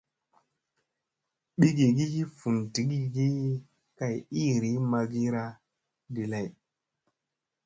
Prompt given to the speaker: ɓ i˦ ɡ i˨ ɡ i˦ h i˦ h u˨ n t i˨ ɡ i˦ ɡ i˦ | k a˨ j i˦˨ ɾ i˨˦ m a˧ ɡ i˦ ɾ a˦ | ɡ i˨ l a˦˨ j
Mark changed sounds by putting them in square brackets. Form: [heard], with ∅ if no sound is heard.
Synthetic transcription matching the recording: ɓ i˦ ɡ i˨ ɡ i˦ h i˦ [f] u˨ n t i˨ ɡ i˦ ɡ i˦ | k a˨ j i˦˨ ɾ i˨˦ m a˧ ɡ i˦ ɾ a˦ | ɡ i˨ l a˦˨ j